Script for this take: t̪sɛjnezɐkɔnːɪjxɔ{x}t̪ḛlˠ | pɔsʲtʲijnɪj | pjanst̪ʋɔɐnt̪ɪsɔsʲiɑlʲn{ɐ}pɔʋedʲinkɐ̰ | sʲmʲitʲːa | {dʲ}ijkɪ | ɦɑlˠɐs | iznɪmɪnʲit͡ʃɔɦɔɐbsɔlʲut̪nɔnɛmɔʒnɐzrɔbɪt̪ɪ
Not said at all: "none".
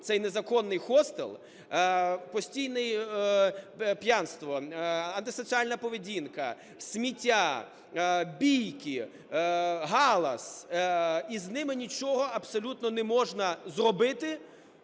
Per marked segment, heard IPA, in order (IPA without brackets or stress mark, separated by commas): s, ɐ, bʲ